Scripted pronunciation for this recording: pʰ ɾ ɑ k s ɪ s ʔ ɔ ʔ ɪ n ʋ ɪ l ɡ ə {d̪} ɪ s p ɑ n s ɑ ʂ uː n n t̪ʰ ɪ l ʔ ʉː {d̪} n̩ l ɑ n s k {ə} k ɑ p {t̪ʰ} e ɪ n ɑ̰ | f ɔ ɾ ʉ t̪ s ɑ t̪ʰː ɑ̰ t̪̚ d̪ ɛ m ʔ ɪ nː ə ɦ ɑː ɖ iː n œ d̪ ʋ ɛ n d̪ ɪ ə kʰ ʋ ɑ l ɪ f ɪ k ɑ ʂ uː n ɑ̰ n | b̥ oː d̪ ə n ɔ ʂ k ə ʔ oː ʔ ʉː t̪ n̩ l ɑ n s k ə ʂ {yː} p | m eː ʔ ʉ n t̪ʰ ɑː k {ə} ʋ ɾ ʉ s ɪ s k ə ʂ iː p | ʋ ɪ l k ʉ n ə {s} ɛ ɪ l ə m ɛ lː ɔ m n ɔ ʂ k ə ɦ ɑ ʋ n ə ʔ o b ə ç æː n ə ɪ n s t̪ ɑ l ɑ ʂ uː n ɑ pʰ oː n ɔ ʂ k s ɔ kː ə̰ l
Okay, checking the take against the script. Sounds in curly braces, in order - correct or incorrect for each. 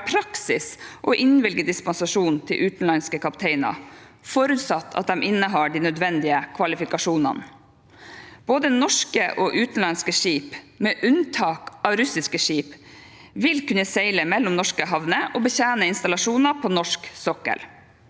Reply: correct, incorrect, correct, correct, incorrect, incorrect, correct

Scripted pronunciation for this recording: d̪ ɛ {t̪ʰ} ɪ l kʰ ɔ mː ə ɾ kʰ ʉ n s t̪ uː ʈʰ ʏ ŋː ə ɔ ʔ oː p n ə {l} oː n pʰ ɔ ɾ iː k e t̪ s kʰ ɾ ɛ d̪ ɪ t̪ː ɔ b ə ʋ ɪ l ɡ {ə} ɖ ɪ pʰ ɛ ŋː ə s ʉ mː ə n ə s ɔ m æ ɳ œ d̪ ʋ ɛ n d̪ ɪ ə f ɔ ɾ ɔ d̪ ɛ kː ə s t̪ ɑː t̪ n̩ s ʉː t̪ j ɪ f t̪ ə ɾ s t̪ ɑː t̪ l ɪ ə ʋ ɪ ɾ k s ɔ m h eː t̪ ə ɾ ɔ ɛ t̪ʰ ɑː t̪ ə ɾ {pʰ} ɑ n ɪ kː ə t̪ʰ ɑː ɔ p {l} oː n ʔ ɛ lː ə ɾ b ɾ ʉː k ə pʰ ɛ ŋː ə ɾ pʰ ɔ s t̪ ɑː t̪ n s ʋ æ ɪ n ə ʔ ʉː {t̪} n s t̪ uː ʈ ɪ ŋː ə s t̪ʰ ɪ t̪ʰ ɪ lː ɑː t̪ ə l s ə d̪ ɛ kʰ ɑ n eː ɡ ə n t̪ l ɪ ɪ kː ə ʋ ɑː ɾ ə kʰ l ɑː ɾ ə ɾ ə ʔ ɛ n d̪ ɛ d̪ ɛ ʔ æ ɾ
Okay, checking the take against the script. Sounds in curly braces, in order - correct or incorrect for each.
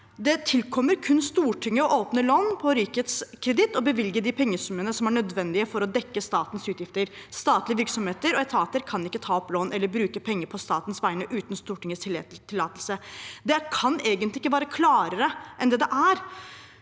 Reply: correct, correct, correct, incorrect, correct, correct

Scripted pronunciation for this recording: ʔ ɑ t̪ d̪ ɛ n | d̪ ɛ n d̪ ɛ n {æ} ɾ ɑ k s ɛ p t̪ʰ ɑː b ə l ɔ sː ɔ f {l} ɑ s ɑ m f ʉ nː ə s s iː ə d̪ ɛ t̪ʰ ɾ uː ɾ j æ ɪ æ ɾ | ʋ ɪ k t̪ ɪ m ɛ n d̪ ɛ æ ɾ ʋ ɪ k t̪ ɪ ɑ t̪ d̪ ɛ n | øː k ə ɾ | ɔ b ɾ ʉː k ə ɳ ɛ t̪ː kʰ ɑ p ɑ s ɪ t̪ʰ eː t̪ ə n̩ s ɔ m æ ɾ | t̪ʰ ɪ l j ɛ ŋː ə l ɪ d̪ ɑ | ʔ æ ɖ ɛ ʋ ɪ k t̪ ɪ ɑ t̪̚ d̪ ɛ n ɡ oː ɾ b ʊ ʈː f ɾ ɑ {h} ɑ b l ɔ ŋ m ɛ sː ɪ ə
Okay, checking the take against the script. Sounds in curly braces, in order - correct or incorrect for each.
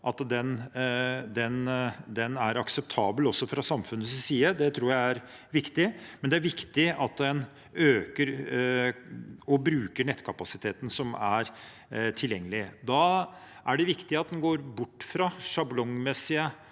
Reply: correct, incorrect, incorrect

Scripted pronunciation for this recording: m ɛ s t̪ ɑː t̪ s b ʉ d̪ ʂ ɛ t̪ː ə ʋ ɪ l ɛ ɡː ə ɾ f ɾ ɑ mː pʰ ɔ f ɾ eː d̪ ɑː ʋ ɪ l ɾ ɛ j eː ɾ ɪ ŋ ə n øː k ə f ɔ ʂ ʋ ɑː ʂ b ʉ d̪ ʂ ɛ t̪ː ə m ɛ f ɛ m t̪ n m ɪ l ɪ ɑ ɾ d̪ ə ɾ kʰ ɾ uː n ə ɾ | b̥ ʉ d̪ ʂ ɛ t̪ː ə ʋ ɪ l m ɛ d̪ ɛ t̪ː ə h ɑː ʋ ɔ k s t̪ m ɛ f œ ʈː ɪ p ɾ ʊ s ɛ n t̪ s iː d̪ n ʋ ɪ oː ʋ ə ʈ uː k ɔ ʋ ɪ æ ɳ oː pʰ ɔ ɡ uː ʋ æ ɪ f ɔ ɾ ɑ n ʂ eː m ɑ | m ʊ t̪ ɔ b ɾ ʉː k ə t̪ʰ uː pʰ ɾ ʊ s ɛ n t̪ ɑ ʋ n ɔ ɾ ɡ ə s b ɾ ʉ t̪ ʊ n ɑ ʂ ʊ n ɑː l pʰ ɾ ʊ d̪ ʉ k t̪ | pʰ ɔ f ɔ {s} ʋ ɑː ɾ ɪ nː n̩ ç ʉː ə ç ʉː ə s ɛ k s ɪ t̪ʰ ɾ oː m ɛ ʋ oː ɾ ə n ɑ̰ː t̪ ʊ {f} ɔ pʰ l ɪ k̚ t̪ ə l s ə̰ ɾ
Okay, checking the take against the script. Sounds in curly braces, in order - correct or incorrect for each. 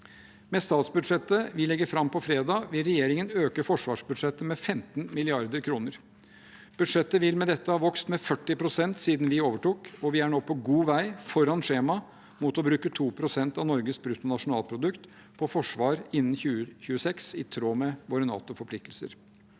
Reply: incorrect, correct

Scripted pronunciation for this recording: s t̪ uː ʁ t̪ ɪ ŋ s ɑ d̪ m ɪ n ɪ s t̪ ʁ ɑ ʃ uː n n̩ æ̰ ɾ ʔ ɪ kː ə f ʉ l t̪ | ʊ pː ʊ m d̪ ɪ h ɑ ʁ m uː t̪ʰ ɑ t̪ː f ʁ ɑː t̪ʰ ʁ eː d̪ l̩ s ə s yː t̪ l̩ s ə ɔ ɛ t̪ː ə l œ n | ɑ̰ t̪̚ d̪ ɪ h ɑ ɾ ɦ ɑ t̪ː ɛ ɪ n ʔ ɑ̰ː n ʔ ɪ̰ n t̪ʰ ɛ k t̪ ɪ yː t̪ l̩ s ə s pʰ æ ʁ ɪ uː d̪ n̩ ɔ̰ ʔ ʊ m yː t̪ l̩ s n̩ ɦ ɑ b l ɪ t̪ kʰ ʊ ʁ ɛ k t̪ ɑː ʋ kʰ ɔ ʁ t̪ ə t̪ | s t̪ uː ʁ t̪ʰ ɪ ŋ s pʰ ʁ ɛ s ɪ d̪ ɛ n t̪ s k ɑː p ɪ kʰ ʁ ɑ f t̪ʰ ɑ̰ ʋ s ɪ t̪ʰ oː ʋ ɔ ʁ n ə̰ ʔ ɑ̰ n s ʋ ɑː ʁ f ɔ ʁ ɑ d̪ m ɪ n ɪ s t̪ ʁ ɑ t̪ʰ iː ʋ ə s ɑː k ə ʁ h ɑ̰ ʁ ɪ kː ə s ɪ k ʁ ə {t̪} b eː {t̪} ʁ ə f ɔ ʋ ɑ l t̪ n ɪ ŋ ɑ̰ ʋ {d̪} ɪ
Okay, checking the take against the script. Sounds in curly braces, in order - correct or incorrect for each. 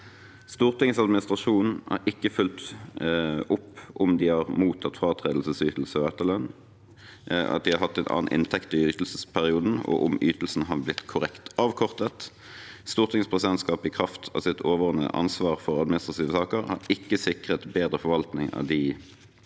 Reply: correct, incorrect, correct

